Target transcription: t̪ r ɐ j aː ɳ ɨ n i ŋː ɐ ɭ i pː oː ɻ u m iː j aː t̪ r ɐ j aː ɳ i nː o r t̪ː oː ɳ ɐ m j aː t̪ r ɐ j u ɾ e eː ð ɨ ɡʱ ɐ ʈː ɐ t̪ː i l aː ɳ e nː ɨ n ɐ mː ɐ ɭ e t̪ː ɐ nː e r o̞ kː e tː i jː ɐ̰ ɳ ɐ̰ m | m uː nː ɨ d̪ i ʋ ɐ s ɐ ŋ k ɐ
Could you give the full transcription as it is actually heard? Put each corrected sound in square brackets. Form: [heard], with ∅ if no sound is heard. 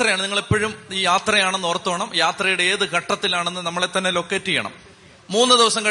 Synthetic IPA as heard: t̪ r ɐ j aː ɳ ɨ n i ŋː ɐ ɭ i pː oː ɻ u m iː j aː t̪ r ɐ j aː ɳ [e] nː o r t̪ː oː ɳ ɐ m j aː t̪ r ɐ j u [ɽ] e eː ð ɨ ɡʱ ɐ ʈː ɐ t̪ː i l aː ɳ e nː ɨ n ɐ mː ɐ ɭ e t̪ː ɐ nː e [l] o̞ kː e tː i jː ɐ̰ ɳ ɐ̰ m | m uː nː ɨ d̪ i ʋ ɐ s ɐ ŋ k ɐ